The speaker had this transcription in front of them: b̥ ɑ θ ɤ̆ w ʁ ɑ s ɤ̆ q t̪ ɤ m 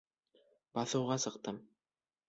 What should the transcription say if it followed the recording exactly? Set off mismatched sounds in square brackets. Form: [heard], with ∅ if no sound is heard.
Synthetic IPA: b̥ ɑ θ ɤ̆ w ʁ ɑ s ɤ̆ q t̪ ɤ m

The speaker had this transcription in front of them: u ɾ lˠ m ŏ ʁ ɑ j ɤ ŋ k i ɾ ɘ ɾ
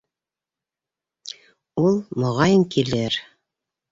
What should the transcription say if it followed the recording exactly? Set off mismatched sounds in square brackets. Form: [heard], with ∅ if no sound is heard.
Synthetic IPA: u [∅] lˠ m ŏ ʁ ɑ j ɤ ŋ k i [l] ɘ ɾ

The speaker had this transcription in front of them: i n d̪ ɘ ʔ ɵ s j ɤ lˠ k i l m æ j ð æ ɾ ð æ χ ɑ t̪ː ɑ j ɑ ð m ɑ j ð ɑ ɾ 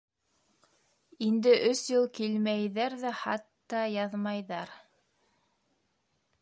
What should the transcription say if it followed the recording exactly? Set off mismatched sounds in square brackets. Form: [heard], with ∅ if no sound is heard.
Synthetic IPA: i n d̪ ɘ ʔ ɵ s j ɤ lˠ k i l m æ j ð æ ɾ ð æ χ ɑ t̪ː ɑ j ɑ ð m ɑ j ð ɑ ɾ

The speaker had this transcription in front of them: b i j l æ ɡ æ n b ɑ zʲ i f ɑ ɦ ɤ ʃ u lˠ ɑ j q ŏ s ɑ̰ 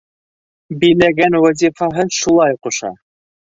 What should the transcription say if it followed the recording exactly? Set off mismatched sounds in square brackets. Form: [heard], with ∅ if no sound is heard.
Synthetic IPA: b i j l æ ɡ æ n [w] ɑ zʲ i f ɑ ɦ ɤ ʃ u lˠ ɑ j q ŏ [ʃ] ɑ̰

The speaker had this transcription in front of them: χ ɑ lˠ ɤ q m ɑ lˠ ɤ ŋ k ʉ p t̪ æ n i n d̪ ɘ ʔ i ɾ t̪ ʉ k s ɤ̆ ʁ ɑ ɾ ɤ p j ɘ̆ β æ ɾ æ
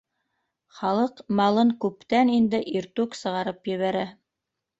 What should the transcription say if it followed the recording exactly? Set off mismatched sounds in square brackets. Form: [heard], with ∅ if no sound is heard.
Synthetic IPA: χ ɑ lˠ ɤ q m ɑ lˠ ɤ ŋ k ʉ p t̪ æ n i n d̪ ɘ ʔ i ɾ t̪ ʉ k s ɤ̆ ʁ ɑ ɾ ɤ p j ɘ̆ β æ ɾ æ

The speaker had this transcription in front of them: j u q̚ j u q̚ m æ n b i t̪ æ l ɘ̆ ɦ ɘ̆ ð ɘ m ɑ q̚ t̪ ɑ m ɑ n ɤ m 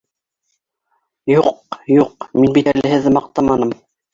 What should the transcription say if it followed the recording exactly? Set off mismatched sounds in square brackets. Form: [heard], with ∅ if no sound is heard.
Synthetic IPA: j u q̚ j u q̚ m [i] n b i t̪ æ l ɘ̆ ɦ ɘ̆ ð ɘ m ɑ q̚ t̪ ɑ m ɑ n ɤ m

